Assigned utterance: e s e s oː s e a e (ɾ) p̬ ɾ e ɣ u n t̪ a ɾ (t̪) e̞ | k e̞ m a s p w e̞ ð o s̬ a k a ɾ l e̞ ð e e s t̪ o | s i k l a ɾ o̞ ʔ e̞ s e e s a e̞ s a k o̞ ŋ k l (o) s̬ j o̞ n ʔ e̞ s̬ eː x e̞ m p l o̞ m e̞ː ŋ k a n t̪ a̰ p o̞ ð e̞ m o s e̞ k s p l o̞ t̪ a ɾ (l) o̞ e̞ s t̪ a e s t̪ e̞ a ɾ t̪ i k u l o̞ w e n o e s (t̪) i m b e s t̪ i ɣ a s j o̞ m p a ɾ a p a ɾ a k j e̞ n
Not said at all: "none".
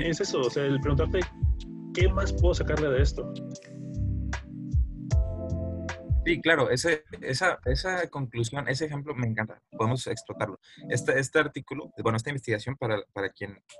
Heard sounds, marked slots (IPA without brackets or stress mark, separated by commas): l, t̪, u, l, t̪